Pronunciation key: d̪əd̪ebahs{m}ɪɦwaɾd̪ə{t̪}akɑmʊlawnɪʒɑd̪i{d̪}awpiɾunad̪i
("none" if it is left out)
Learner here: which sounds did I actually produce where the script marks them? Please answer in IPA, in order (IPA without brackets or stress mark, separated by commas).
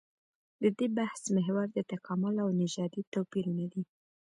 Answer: m, t̪, t̪